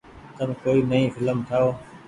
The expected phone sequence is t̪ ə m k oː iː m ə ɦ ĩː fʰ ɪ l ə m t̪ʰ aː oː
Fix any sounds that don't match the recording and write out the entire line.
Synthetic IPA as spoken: t̪ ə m k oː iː n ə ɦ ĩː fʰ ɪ l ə m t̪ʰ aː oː